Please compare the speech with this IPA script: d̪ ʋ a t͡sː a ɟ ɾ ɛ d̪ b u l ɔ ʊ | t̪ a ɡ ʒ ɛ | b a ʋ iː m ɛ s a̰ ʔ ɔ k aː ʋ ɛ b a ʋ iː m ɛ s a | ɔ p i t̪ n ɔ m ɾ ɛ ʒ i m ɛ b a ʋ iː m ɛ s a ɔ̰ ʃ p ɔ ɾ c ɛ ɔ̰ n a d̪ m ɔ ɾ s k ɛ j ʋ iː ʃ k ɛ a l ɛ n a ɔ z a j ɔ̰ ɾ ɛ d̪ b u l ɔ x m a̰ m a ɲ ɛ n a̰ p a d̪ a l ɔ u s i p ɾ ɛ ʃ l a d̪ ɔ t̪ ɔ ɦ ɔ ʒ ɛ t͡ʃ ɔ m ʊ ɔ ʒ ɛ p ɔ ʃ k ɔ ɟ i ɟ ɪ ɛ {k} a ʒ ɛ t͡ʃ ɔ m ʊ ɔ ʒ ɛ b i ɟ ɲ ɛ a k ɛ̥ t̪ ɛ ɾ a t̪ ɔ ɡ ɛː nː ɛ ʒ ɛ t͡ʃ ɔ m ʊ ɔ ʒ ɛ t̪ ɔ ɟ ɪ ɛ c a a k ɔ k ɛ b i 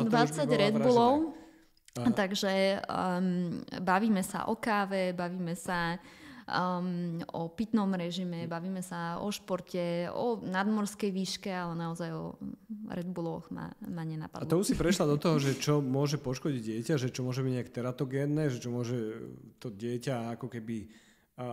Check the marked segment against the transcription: incorrect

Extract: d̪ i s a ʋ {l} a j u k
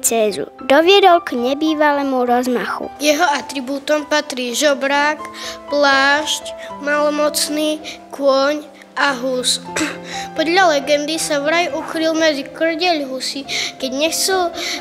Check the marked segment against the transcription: incorrect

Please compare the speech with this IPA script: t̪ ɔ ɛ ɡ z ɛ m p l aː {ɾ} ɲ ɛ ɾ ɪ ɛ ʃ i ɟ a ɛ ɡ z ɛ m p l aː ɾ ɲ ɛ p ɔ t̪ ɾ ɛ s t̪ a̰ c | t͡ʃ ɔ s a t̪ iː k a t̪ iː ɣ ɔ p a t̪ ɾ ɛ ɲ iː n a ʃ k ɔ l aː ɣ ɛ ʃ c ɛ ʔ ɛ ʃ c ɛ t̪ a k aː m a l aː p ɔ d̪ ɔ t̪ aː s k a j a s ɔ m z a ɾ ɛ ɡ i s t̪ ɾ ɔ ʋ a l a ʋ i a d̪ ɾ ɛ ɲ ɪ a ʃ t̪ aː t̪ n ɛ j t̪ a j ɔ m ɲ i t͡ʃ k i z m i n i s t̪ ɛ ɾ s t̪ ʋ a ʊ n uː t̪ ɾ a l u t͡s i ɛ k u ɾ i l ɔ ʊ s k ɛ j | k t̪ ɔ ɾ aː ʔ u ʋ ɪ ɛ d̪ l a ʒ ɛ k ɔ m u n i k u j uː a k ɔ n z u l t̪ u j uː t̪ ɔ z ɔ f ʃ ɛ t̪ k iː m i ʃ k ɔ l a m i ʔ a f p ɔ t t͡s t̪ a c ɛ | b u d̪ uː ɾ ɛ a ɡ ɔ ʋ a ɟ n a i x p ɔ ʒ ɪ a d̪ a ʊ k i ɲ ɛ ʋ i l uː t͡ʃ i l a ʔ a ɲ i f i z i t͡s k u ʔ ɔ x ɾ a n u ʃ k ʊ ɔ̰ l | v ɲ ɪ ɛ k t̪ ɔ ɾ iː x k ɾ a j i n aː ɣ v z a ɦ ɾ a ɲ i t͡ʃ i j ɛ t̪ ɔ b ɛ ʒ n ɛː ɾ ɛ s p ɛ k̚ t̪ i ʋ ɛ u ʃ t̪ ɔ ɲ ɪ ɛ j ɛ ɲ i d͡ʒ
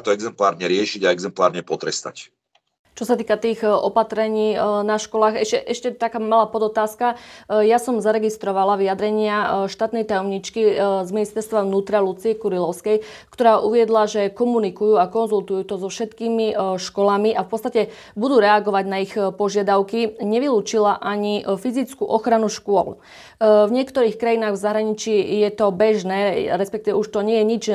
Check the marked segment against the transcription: correct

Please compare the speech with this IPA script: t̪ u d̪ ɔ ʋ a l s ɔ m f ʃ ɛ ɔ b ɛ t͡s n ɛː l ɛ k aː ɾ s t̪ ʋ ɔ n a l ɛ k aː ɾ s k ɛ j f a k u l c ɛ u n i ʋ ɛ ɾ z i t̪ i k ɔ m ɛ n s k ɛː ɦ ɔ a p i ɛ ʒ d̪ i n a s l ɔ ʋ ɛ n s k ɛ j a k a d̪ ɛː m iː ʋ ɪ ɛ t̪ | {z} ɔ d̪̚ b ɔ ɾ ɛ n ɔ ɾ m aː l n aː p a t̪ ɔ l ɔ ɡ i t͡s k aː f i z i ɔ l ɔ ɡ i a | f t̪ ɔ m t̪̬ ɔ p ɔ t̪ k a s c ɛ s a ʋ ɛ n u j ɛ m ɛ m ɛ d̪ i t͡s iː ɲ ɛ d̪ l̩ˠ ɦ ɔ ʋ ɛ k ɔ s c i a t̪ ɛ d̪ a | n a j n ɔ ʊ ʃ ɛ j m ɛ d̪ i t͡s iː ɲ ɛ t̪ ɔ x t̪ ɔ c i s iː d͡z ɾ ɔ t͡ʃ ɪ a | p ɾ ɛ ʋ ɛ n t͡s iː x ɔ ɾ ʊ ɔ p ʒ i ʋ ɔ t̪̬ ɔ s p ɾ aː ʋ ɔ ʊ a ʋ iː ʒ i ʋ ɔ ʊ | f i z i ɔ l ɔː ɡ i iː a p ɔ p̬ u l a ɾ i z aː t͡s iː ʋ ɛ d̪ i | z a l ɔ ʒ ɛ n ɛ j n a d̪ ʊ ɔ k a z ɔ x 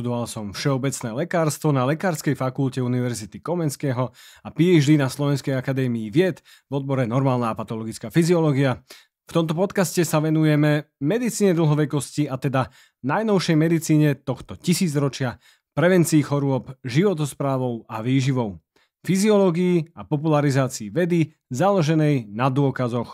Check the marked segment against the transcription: incorrect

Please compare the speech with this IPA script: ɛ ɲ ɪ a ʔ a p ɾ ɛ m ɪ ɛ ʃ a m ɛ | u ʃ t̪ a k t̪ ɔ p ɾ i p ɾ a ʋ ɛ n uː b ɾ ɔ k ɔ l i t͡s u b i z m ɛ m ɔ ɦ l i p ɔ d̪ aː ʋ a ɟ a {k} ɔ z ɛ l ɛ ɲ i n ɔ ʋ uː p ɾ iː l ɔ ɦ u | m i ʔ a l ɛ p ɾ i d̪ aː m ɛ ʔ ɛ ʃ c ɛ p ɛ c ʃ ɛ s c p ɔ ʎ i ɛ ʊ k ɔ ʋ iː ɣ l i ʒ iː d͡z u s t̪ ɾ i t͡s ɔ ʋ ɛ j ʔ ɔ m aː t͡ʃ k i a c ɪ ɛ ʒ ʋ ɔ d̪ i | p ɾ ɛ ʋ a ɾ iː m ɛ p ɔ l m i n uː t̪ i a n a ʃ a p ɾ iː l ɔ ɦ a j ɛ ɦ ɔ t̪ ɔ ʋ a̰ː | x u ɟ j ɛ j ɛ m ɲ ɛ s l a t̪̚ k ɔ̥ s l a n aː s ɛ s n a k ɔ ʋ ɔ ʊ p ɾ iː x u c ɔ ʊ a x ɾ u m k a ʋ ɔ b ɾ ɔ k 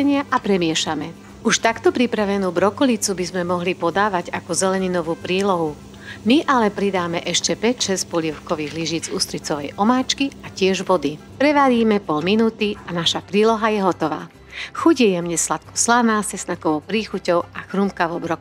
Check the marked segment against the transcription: correct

